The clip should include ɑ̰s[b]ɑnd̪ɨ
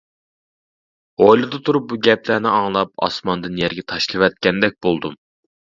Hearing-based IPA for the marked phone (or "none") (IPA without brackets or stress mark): m